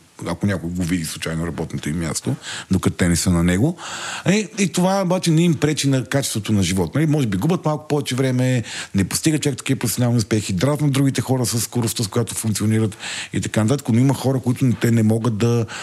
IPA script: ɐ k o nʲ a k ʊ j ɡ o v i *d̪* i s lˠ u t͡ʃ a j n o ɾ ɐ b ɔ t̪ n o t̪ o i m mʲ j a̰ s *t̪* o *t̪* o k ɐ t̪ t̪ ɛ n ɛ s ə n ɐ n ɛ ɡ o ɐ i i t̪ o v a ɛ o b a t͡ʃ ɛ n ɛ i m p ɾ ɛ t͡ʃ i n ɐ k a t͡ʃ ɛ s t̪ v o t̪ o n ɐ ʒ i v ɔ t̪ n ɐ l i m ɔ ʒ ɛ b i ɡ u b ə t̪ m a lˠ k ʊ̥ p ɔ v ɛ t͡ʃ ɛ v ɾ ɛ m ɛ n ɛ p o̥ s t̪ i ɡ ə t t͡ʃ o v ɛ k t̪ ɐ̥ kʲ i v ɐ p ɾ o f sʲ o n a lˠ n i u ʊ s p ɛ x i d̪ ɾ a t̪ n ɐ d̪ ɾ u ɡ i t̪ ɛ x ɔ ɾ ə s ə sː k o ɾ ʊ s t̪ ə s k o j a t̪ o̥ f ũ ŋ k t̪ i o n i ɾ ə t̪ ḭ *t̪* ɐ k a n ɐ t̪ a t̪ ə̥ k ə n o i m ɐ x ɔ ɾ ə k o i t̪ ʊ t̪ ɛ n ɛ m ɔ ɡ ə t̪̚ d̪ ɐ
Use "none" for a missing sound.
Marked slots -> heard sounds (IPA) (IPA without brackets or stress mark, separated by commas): d̪, t̪, d̪, t̪